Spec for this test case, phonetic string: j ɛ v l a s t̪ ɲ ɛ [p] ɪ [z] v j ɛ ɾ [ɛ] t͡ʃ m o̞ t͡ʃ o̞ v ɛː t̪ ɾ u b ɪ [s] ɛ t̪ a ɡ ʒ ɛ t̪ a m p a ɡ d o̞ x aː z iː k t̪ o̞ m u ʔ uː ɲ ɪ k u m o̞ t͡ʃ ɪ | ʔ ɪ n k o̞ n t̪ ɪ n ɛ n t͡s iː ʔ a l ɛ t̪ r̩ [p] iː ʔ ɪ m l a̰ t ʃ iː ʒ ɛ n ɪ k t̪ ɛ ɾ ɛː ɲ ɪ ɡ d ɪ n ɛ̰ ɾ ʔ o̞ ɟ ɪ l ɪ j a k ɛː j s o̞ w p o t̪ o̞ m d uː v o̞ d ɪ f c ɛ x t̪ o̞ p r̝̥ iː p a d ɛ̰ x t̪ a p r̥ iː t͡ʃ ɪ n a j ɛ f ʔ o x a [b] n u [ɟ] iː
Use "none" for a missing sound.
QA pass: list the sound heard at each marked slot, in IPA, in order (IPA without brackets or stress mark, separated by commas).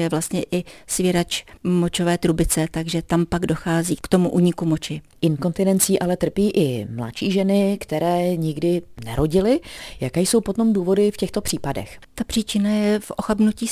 ʔ, s, a, t͡s, p, b, c